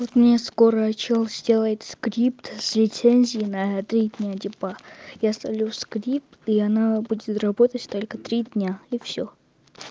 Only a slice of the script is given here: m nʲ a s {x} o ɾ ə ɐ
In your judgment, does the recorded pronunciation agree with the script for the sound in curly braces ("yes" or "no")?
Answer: no